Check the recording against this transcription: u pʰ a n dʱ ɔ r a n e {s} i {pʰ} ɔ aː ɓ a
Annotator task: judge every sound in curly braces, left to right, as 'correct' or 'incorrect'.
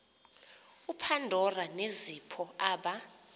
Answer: incorrect: z, correct

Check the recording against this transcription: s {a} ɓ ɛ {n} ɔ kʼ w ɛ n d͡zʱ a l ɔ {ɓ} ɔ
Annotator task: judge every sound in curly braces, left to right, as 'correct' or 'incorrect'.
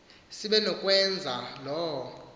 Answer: incorrect: i, correct, incorrect: none

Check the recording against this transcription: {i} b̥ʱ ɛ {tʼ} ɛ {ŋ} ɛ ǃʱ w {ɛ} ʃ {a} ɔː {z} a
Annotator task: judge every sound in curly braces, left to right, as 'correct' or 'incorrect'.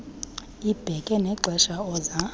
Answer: correct, incorrect: kʼ, incorrect: n, correct, correct, correct

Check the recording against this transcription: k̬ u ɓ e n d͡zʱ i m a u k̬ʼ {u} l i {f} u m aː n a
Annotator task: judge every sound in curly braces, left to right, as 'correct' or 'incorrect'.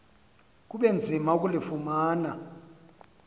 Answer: correct, correct

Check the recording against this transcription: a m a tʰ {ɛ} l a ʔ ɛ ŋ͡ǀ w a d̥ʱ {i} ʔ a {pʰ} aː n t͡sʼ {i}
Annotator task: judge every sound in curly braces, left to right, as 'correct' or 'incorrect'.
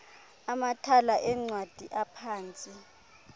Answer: incorrect: a, correct, correct, correct

